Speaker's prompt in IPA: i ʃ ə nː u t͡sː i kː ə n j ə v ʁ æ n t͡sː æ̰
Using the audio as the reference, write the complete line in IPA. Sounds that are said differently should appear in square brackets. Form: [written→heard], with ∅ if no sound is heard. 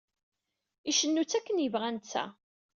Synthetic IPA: i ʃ ə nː u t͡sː [i→æ] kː ə n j ə v ʁ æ n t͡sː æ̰